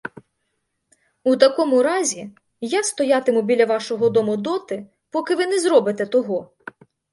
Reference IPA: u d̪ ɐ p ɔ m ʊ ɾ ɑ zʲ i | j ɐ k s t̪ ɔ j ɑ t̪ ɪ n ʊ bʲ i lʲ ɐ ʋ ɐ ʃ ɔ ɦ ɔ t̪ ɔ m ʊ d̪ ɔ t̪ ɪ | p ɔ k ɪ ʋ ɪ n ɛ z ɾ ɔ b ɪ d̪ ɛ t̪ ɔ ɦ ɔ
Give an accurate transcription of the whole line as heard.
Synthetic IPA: u t̪ ɐ k ɔ m ʊ ɾ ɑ zʲ i | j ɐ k s t̪ ɔ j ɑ t̪ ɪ m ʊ bʲ i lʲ ɐ ʋ ɑ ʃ ɔ ɦ ɔ d̪ ɔ m ʊ d̪ ɔ t̪ ɪ | p ɔ k ɪ ʋ ɪ n ɛ z ɾ ɔ b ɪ t̪ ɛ t̪ ɔ ɦ ɔ